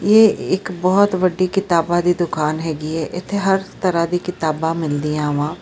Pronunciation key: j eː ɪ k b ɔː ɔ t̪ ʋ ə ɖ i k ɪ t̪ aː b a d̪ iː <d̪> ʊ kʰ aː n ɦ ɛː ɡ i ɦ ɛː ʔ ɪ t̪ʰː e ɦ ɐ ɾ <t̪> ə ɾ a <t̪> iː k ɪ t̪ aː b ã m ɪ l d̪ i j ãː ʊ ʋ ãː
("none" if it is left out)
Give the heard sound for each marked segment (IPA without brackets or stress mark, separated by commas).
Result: d̪, t̪, d̪